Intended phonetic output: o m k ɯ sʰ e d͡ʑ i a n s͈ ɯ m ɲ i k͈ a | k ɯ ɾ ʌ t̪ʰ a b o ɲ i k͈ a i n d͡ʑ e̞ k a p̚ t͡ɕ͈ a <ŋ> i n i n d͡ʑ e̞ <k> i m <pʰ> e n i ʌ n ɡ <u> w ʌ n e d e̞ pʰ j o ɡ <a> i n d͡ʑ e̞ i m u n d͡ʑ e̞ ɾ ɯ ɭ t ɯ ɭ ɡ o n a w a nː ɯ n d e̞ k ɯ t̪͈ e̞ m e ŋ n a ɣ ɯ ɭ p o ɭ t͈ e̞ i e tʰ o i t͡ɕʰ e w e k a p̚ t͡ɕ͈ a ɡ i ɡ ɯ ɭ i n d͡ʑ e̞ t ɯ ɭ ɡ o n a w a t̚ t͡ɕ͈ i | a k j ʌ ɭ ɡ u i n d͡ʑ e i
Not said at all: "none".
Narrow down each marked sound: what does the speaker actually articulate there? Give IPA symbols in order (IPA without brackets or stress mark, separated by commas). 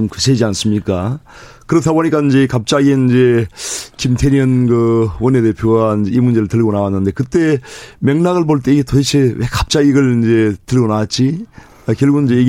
ɡ, k, tʰ, ɯ, a